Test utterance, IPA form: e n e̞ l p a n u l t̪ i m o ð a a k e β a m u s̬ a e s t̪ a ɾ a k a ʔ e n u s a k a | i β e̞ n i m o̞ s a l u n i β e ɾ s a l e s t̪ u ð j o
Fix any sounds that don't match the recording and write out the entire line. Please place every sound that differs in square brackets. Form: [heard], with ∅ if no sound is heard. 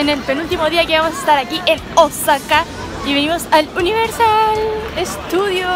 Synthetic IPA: e n e̞ l p [e] n u l t̪ i m o ð [i] a k e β a m [o] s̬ a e s t̪ a ɾ a k [i] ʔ e n [o] s a k a | i β e̞ n i m o̞ s a l u n i β e ɾ s a l e s t̪ u ð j o